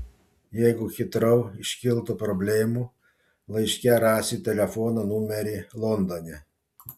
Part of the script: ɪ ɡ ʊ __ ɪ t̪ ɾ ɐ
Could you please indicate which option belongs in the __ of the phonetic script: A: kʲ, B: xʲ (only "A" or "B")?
B